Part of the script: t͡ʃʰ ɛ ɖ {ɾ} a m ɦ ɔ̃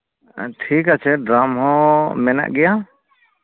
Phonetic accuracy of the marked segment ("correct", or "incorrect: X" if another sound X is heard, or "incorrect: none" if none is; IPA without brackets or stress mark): correct